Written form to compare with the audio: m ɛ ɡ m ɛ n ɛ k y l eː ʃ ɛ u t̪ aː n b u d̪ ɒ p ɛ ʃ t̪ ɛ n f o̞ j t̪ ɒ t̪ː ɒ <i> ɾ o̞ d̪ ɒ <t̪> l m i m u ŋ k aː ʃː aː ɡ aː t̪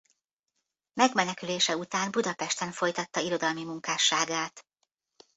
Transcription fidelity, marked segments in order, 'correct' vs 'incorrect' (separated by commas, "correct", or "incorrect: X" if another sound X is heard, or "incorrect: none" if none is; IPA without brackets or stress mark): correct, incorrect: none